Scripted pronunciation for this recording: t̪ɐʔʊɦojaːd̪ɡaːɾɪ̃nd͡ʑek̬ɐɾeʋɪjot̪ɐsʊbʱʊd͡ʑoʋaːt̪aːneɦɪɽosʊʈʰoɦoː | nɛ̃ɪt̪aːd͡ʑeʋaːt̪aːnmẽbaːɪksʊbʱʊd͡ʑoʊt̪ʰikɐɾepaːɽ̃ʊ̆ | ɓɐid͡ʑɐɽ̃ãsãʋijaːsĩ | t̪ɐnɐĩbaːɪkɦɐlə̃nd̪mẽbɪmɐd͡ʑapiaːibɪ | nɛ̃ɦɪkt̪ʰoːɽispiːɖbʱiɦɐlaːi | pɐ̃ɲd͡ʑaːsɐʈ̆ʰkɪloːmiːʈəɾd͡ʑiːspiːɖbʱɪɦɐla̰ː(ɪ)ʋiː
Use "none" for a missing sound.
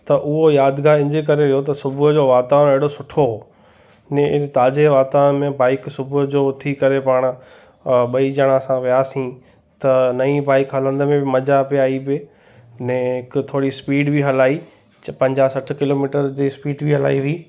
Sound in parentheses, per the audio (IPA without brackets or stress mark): i